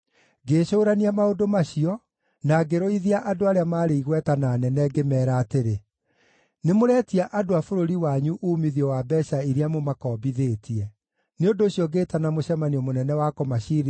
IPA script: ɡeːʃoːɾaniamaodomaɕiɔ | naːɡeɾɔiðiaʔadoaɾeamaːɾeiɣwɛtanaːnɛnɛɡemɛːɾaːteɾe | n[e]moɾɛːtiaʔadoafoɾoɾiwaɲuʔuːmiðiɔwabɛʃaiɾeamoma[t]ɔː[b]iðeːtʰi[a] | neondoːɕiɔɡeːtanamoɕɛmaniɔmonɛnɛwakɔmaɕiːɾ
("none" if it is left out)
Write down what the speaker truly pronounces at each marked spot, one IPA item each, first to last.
e, k, b, ɛ

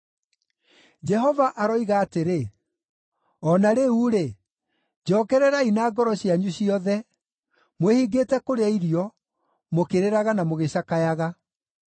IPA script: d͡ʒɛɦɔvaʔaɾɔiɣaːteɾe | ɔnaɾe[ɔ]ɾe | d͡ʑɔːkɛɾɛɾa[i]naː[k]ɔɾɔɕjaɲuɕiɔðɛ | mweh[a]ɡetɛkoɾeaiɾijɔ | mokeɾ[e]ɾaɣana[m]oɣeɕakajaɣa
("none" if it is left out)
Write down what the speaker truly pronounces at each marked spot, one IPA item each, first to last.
u, i, ɡ, i, e, m

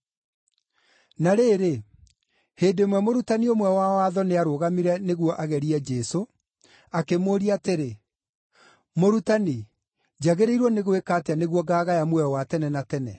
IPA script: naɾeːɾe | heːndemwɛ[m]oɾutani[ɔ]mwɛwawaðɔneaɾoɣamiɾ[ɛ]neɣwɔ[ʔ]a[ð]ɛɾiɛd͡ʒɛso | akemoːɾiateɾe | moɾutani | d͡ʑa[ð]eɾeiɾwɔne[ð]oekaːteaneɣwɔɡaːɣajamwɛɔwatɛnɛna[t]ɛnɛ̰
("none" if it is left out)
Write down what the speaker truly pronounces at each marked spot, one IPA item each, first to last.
m, o, ɛ, ʔ, ɣ, ɣ, ɣ, t

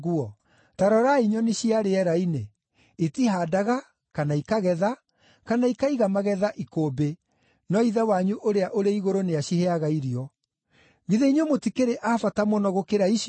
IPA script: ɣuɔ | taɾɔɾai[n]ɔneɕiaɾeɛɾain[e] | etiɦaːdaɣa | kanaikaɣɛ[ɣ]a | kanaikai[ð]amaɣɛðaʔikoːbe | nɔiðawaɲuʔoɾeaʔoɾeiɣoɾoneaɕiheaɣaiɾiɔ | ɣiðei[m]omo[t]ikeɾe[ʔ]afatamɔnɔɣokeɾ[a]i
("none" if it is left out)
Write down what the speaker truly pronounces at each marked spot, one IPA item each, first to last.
ɲ, e, ð, ɣ, ɲ, t, ʔ, a

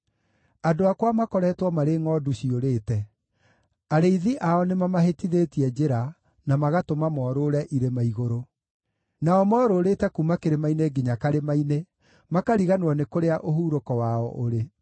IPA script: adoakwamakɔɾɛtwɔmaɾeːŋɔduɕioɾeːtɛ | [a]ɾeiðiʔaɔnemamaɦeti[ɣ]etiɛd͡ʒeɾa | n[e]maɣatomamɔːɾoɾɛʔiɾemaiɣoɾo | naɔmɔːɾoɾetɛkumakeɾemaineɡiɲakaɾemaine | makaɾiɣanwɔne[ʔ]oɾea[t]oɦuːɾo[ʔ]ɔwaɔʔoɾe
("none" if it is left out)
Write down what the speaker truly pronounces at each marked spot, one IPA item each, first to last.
a, ð, a, k, ʔ, k

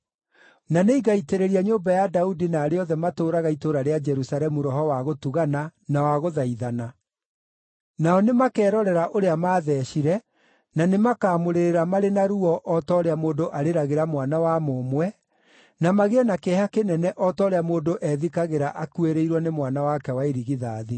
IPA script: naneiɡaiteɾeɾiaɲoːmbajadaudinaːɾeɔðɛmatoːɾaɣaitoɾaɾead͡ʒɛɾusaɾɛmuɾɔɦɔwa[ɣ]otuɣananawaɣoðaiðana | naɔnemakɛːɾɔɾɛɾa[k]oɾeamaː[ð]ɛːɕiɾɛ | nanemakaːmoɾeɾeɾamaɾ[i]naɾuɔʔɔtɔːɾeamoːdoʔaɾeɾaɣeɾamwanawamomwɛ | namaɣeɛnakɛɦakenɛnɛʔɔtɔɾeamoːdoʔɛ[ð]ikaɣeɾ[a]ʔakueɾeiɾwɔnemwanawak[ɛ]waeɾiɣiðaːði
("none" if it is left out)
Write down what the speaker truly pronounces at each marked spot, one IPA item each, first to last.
ɣ, ʔ, ð, e, ð, a, ɛ

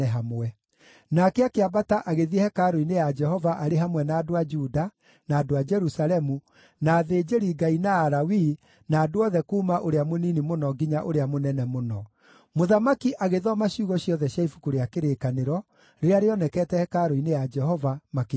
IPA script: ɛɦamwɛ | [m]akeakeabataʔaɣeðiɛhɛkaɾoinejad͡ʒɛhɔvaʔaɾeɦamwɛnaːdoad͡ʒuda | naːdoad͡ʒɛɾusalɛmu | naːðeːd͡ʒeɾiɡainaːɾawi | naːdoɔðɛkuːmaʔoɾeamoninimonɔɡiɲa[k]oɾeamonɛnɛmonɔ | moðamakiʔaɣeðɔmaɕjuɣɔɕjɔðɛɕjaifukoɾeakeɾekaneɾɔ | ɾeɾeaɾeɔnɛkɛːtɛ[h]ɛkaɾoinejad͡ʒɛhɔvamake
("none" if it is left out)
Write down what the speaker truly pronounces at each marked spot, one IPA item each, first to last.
n, ʔ, h

